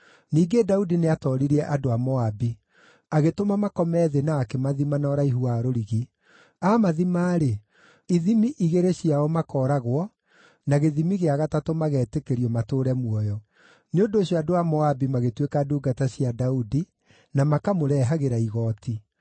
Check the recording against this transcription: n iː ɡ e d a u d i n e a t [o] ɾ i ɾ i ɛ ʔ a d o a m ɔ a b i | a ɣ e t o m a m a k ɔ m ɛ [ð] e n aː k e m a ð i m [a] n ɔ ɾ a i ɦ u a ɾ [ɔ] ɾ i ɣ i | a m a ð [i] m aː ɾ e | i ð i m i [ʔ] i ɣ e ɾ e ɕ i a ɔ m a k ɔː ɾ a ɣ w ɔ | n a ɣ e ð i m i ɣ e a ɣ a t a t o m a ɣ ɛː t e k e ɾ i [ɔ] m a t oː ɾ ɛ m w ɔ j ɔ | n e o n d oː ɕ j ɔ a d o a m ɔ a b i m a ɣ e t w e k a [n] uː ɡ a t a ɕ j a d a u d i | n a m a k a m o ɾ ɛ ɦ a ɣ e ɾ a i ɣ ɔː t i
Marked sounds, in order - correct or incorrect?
incorrect, correct, correct, incorrect, correct, correct, correct, incorrect

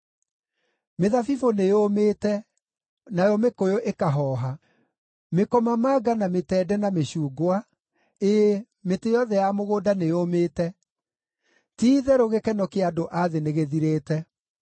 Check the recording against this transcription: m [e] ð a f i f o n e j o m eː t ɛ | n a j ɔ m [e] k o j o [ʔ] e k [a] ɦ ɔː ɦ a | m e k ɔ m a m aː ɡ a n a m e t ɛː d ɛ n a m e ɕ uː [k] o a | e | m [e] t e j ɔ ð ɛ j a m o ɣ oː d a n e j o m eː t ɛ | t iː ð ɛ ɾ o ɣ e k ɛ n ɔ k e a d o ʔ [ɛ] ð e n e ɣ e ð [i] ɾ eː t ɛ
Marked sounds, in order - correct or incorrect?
correct, correct, correct, correct, incorrect, correct, incorrect, correct

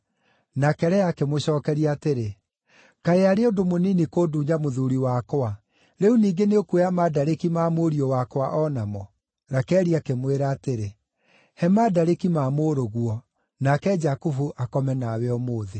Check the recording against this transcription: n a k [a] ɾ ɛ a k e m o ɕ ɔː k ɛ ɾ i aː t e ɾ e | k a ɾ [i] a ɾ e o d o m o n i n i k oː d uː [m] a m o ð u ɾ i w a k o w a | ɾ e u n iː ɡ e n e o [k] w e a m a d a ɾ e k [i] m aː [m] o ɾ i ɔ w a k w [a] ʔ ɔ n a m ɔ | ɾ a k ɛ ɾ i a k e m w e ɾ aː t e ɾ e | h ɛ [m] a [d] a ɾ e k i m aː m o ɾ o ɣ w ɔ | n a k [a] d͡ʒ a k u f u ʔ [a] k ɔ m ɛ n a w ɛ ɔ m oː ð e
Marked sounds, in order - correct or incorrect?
incorrect, incorrect, incorrect, correct, correct, correct, correct, correct, correct, incorrect, correct

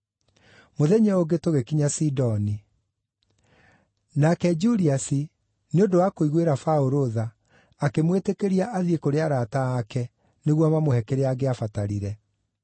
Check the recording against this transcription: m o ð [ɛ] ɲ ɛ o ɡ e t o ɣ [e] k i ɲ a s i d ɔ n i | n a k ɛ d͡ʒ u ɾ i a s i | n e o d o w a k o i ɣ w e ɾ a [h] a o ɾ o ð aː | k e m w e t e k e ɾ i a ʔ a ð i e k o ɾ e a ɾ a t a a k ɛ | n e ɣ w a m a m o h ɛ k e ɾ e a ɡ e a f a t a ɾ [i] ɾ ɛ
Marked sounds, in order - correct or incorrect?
correct, correct, incorrect, correct

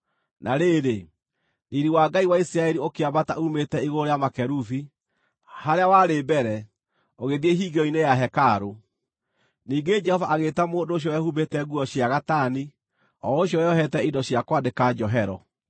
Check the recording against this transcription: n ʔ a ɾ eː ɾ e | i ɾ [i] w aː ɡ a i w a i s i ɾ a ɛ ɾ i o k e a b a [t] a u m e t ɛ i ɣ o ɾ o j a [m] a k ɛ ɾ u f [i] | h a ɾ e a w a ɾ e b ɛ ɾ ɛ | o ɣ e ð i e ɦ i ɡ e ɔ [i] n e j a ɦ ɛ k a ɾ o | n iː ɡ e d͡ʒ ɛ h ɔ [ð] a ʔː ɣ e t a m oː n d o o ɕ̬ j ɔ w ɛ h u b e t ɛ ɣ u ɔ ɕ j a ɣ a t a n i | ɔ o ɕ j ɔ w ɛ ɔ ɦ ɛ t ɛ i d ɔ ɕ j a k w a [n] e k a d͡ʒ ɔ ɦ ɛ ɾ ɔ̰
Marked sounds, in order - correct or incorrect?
correct, correct, correct, correct, correct, incorrect, incorrect

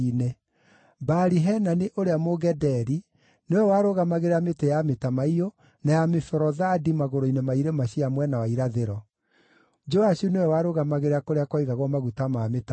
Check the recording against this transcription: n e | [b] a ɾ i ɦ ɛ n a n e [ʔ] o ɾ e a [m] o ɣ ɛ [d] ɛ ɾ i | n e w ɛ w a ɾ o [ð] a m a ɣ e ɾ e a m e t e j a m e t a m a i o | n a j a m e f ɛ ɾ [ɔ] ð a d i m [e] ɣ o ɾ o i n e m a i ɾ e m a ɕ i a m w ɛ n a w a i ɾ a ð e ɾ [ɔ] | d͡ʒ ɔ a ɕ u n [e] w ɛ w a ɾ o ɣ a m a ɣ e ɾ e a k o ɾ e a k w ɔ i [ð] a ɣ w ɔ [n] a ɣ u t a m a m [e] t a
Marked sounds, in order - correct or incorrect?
correct, correct, correct, correct, incorrect, correct, incorrect, correct, correct, incorrect, incorrect, correct

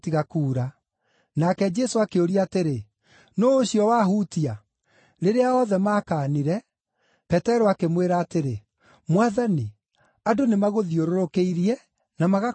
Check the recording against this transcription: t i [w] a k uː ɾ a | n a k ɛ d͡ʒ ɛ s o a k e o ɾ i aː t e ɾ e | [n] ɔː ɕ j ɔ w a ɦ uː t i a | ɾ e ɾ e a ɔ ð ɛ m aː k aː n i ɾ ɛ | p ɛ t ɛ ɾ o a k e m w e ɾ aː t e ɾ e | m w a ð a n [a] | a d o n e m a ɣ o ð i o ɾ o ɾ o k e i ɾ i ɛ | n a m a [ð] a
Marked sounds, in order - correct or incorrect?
incorrect, correct, incorrect, incorrect

